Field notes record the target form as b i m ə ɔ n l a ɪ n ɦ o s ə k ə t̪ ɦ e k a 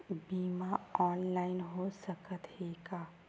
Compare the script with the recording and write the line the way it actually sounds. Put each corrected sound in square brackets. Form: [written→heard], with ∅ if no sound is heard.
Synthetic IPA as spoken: b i m [ə→a] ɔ n l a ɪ n ɦ o s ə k ə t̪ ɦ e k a